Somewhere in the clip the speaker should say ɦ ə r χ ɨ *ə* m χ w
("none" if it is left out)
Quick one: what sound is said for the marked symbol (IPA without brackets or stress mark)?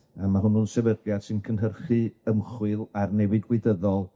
ə